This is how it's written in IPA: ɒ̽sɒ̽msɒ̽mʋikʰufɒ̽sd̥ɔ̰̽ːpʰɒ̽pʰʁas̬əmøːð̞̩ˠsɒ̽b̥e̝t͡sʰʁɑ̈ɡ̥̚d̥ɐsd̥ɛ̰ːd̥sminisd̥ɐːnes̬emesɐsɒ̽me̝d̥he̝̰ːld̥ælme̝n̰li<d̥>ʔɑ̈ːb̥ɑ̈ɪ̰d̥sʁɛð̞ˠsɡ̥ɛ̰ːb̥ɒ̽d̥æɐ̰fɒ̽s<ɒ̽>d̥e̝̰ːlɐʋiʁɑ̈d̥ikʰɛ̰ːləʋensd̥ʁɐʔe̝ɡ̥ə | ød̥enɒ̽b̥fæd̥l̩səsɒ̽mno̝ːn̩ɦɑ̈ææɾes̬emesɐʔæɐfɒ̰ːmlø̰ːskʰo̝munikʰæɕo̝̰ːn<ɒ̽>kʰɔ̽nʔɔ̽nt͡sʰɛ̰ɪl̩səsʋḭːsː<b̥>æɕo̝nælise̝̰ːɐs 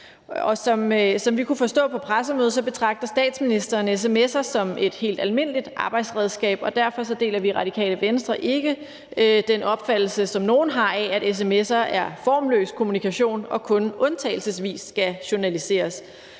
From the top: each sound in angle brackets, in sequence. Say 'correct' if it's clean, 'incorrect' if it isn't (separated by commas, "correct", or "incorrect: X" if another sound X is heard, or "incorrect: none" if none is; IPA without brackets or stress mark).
correct, correct, correct, incorrect: ɡ̥